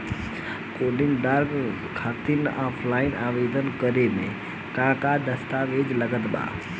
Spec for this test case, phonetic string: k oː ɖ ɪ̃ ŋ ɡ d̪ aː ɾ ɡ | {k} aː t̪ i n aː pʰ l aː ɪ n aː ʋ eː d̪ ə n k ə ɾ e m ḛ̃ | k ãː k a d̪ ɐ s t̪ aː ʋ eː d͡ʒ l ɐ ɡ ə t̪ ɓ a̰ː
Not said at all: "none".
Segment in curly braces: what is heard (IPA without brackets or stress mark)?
kʰ